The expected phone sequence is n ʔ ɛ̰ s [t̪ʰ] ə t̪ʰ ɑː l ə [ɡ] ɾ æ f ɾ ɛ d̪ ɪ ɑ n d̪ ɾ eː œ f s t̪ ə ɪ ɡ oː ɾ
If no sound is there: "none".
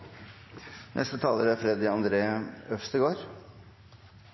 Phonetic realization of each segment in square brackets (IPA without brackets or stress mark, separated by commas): t̪, none